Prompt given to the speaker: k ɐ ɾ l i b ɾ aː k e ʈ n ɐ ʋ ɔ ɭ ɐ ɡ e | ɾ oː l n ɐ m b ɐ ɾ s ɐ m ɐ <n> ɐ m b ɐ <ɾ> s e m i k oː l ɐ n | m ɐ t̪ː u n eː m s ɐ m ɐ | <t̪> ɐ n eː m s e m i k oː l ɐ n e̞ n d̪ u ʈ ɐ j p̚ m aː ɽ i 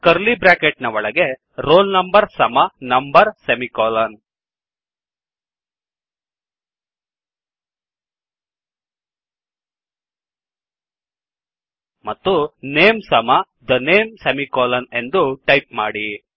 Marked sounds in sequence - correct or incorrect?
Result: correct, correct, incorrect: d̪

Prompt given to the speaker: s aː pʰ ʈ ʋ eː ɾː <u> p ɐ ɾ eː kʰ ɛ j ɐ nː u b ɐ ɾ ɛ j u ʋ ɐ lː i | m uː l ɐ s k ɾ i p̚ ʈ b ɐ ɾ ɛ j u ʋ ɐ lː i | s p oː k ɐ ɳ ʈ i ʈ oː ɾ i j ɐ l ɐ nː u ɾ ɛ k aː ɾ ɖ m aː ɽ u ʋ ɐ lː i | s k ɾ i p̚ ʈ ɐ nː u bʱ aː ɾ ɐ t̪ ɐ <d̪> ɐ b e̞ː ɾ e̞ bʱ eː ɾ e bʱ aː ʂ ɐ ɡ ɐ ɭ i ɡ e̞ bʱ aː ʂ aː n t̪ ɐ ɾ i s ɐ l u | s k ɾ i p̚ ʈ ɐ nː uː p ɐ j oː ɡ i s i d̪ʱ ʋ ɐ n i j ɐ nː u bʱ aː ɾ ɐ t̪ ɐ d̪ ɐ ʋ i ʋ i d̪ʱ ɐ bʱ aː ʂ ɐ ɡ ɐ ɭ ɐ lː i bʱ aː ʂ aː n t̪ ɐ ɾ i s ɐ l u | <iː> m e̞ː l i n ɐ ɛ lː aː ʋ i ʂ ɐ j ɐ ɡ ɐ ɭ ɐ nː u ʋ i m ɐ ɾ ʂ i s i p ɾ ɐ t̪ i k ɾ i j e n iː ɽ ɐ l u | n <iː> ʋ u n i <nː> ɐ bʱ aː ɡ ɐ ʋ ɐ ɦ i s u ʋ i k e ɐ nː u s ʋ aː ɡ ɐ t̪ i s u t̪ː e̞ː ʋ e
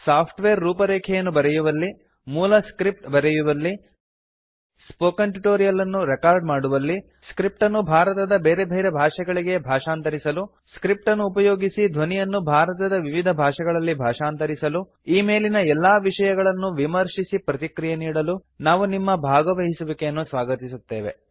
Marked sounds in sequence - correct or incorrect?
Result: incorrect: uː, correct, correct, incorrect: aː, incorrect: mː

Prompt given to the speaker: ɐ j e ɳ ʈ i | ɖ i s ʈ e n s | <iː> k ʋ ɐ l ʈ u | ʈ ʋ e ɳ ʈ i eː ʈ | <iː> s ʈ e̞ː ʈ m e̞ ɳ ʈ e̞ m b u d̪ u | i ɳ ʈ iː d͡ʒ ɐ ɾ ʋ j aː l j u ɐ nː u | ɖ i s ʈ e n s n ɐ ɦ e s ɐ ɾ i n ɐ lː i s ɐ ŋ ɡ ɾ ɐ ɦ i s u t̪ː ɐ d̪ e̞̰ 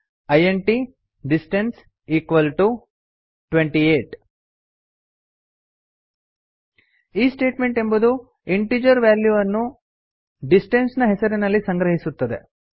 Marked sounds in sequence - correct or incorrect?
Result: correct, correct

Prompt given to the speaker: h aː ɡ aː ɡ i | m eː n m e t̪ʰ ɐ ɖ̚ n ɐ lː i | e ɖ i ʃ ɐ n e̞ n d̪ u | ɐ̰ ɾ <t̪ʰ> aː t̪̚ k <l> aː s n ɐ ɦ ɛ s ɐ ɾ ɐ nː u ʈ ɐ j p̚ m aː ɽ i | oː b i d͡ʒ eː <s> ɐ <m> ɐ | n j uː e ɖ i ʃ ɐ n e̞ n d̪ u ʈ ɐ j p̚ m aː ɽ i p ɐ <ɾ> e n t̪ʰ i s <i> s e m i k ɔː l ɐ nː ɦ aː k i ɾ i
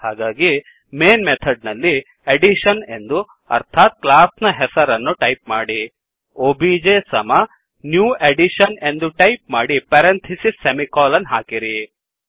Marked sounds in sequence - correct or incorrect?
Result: correct, correct, correct, correct, correct, correct

